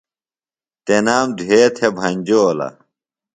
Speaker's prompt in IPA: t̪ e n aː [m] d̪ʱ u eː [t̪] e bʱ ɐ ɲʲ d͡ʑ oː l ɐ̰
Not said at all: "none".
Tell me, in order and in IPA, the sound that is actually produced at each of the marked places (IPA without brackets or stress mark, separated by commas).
m, t̪ʰ